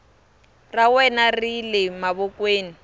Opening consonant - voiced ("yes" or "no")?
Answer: yes